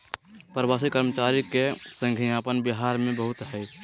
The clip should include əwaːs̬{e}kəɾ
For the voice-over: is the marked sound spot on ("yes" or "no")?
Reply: no